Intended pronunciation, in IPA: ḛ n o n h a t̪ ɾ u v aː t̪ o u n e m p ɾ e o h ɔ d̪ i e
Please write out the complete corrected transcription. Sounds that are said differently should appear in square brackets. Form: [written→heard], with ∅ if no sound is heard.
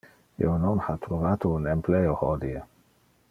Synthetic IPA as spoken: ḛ n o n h a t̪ ɾ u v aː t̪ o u n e m p [ɾ→l] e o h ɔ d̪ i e